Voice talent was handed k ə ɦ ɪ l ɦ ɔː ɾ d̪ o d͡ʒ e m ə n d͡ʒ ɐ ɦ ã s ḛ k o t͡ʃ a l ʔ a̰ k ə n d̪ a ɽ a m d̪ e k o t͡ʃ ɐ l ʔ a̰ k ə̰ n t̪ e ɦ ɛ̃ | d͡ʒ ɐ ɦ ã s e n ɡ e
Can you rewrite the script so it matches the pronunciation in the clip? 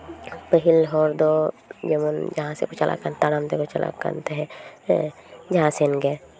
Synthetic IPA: p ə ɦ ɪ l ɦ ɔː ɾ d̪ o d͡ʒ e m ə n d͡ʒ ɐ ɦ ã s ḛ k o t͡ʃ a l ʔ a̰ k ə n t̪ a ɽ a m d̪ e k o t͡ʃ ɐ l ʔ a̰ k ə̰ n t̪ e ɦ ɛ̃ | d͡ʒ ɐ ɦ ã s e n ɡ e